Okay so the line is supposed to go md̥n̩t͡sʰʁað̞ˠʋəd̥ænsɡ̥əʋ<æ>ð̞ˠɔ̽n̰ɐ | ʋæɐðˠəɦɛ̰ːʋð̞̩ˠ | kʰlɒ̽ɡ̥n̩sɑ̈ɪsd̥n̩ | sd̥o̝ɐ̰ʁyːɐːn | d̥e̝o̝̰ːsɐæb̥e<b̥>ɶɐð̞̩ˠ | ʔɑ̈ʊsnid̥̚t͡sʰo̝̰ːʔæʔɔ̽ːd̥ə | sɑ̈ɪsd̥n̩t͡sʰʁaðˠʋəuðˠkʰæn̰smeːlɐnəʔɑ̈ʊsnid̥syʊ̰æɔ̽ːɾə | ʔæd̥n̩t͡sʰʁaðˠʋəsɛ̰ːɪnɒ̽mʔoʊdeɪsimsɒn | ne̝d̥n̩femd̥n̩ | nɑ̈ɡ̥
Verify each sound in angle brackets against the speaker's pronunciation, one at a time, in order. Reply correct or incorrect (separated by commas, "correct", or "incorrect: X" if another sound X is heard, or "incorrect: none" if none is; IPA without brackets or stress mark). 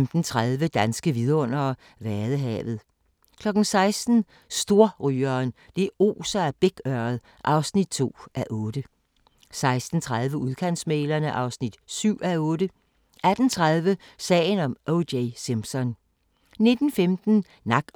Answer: incorrect: i, incorrect: ɡ̥